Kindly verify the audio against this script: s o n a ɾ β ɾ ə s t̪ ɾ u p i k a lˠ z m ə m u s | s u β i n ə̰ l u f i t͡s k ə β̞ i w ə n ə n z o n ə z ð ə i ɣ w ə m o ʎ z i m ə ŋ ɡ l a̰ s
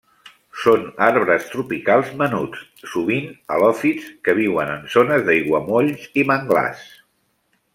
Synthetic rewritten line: s o n a ɾ β ɾ ə s t̪ ɾ u p i k a lˠ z m ə n u t͡s | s u β i n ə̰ l ɔ f i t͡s k ə β̞ i w ə n ə n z o n ə z ð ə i ɣ w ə m o ʎ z i m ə ŋ ɡ l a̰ s